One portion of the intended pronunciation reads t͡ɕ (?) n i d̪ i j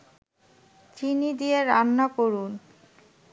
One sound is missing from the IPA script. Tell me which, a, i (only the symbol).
i